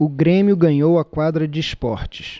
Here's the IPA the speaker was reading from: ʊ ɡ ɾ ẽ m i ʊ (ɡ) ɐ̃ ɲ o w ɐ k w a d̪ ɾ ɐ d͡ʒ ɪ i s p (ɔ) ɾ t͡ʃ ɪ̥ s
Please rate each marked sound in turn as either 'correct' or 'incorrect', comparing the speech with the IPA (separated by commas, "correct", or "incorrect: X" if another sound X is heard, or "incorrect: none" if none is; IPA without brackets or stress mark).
correct, correct